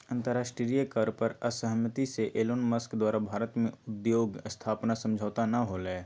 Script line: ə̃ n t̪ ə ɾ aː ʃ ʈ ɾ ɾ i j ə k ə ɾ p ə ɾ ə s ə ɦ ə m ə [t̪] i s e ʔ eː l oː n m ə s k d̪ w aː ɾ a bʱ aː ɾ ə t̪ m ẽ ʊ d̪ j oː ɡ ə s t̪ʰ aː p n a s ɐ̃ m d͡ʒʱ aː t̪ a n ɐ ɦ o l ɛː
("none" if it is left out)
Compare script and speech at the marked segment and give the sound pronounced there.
t̪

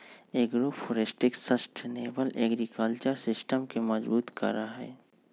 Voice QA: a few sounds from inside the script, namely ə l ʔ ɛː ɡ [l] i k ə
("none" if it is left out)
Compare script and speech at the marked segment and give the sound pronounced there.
ɾ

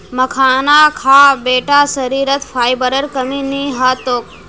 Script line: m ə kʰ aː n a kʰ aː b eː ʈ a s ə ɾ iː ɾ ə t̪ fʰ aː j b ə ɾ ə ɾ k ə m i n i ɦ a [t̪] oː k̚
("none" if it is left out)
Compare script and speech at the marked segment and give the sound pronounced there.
t̪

